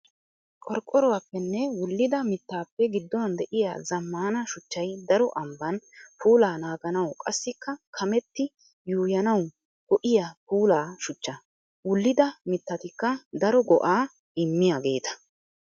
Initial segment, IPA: kʼ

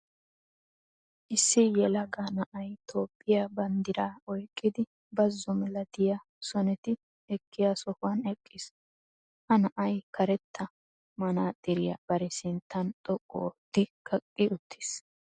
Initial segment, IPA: ʔ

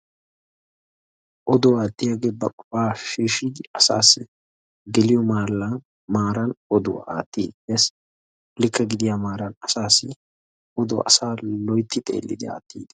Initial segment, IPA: ʔ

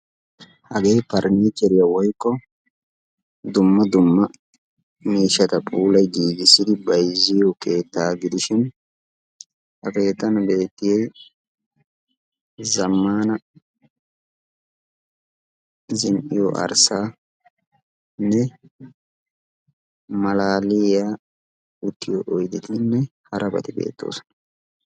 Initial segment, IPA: h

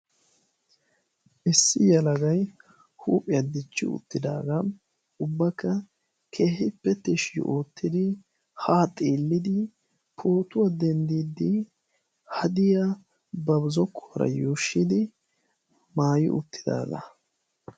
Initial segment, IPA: ʔ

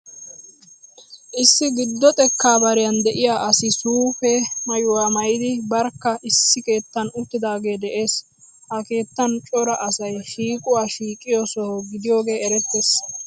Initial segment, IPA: ʔ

